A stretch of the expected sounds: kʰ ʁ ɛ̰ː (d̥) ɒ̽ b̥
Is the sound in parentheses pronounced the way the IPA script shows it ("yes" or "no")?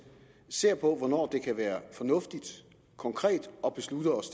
yes